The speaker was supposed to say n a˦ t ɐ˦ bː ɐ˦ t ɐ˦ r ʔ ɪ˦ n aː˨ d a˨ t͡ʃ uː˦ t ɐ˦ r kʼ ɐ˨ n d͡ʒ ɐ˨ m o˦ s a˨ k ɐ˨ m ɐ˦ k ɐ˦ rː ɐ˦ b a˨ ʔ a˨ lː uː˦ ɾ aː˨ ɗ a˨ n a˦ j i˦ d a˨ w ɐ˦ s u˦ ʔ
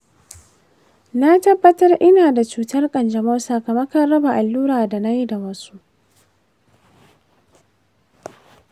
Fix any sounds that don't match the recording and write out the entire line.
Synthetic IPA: n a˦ t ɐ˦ bː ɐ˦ t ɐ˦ r ʔ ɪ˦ n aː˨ d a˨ t͡ʃ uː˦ t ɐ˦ r kʼ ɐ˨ n d͡ʒ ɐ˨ m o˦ s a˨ k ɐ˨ m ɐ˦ k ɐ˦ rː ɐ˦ b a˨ ʔ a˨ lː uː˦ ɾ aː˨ d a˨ n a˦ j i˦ d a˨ w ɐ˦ s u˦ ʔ

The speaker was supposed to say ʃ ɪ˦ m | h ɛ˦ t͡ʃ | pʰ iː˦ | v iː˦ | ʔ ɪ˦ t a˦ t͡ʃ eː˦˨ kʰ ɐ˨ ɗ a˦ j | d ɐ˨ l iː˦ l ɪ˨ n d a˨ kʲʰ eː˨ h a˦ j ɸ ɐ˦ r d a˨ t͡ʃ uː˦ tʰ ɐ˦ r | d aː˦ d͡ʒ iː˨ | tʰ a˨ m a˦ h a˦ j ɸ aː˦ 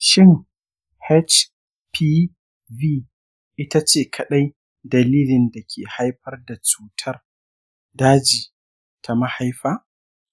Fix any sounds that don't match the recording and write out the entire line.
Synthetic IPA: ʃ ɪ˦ ŋ | h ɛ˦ t͡ʃ | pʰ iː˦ | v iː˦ | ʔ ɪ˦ t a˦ t͡ʃ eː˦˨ kʰ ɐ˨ ɗ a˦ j | d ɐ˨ l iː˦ l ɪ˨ n d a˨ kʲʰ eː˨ h a˦ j ɸ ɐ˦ r d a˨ t͡ʃ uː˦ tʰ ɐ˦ r | d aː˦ d͡ʒ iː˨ | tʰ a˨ m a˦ h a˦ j ɸ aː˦

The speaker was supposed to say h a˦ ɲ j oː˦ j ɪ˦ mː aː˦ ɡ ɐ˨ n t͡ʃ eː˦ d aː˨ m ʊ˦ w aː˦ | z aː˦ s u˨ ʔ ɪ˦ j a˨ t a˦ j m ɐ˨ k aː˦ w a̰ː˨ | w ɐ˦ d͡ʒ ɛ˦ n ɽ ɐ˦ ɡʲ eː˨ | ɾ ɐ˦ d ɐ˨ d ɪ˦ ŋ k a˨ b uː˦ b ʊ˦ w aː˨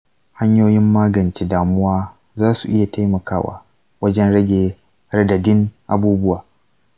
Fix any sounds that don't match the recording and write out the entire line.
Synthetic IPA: h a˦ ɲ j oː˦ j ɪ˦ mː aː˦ ɡ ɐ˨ n t͡ʃ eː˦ d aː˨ m ʊ˦ w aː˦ | z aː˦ s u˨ ʔ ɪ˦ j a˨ t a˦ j m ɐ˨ k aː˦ w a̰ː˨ | w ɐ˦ d͡ʒ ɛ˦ n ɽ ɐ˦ ɡʲ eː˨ | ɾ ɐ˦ d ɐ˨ d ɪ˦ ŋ ʔ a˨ b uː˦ b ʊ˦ w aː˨

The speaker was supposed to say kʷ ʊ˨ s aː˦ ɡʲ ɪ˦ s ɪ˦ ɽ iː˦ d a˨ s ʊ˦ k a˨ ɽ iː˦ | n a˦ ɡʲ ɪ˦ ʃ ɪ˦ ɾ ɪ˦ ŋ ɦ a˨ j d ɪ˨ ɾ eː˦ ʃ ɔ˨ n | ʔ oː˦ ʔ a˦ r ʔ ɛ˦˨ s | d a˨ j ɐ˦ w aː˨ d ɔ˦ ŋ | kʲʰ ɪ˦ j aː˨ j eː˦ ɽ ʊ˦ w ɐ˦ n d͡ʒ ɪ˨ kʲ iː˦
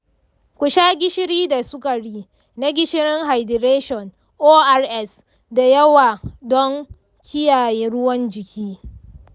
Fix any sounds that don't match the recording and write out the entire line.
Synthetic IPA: kʷ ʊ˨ ʃ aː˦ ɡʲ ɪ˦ ʃ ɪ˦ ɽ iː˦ d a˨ s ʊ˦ k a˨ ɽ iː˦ | n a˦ ɡʲ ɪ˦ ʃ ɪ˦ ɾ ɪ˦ ŋ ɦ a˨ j d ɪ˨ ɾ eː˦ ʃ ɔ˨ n | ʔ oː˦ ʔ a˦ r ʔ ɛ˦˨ s | d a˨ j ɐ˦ w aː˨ d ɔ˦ ŋ | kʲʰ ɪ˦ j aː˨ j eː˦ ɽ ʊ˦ w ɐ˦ n d͡ʒ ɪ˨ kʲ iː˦

